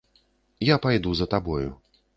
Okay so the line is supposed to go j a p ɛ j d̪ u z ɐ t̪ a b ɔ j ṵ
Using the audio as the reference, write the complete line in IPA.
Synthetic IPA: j a p a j d̪ u z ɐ t̪ a b ɔ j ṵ